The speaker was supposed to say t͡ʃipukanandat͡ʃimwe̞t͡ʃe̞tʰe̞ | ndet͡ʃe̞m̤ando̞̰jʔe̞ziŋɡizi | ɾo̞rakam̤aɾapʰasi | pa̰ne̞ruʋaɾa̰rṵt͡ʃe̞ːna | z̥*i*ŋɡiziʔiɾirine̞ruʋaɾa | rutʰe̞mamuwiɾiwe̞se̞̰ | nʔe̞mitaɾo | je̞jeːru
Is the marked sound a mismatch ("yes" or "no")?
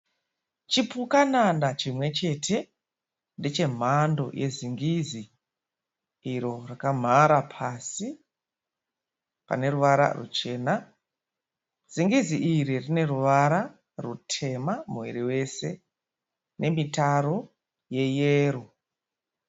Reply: no